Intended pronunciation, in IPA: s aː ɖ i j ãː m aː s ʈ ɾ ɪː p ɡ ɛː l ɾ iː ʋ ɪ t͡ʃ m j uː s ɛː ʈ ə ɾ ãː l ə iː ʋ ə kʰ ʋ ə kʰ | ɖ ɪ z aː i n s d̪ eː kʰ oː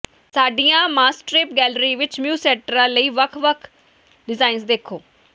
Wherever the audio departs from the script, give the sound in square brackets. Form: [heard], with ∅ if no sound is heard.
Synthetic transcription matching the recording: s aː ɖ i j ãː m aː s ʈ ɾ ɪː p ɡ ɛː l ɾ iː ʋ ɪ t͡ʃ m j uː s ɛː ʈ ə ɾ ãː l ə iː ʋ ə kʰ ʋ ə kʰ | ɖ ɪ z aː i n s d̪ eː kʰ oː